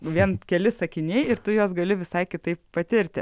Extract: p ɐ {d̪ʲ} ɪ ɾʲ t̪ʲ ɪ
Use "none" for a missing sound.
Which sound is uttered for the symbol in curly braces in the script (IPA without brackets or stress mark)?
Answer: t̪ʲ